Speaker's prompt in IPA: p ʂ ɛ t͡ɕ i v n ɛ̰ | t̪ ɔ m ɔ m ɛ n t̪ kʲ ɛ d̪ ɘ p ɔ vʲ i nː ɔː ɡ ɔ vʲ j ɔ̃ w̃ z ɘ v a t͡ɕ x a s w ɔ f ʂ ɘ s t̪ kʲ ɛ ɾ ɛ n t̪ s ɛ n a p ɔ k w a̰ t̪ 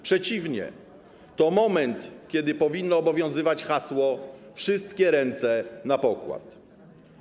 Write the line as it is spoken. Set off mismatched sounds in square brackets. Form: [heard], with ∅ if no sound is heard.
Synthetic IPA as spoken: p ʂ ɛ t͡ɕ i v [ɲ] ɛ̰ | t̪ ɔ m ɔ m ɛ n t̪ kʲ ɛ d̪ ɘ p ɔ vʲ i nː ɔː [b] ɔ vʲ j ɔ̃ w̃ z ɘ v a t͡ɕ x a s w ɔ f ʂ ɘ s t̪ kʲ ɛ ɾ ɛ n t̪ s ɛ n a p ɔ k w a̰ t̪